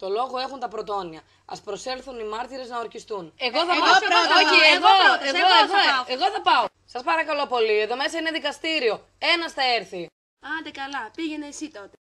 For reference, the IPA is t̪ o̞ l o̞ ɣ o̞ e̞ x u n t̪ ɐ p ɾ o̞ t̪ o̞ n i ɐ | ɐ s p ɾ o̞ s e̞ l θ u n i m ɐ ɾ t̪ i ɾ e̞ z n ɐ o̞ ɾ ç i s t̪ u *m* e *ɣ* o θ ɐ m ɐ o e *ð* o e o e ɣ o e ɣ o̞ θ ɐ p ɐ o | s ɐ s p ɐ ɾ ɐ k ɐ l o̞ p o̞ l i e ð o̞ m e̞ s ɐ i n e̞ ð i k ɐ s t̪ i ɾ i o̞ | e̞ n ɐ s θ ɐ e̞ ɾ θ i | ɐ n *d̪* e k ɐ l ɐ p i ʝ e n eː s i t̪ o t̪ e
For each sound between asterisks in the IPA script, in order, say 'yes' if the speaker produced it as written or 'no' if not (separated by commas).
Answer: no, yes, no, yes